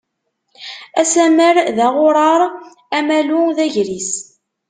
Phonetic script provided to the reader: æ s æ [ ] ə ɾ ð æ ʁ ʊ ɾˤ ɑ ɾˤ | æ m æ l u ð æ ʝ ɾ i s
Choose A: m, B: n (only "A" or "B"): A